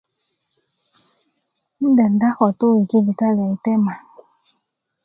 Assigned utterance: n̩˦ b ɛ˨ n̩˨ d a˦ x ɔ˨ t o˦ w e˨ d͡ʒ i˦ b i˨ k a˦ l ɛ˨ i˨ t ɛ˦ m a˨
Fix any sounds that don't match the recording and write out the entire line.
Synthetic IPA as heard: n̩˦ d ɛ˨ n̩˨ d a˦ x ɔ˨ t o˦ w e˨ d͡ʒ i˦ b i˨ k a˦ l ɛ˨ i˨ t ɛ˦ m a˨